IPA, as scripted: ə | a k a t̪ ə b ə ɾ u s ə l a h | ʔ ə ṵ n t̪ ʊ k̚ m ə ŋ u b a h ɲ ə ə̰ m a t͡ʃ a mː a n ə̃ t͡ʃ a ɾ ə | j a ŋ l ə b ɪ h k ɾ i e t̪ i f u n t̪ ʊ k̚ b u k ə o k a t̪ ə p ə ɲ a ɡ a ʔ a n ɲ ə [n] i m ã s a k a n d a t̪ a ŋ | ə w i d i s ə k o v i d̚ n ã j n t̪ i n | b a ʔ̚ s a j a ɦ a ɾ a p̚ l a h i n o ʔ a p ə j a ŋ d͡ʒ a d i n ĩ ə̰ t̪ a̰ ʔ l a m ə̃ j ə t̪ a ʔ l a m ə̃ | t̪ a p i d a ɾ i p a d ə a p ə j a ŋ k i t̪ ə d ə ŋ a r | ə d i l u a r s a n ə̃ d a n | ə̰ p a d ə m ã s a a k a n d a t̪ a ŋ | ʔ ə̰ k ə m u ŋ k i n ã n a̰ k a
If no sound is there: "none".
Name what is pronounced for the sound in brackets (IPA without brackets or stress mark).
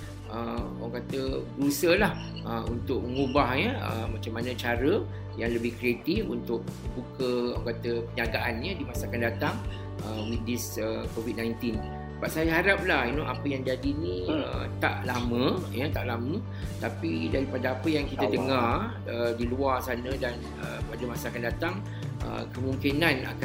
d